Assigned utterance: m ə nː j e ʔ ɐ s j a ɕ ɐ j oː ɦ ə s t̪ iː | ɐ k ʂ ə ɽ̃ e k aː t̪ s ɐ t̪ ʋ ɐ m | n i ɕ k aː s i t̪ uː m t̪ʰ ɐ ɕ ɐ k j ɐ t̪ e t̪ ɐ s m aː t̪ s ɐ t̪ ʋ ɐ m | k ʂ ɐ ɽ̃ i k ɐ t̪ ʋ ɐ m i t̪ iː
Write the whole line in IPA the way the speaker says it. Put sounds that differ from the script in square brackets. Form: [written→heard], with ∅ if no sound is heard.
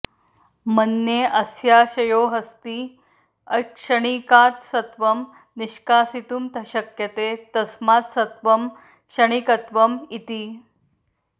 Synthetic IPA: m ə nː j e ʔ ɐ s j a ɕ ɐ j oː ɦ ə s t̪ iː | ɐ k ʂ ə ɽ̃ [e→i] k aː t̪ s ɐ t̪ ʋ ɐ m | n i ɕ k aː s i t̪ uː m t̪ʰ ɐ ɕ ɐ k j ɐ t̪ e t̪ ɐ s m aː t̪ s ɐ t̪ ʋ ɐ m | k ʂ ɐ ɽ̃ i k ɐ t̪ ʋ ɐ m i t̪ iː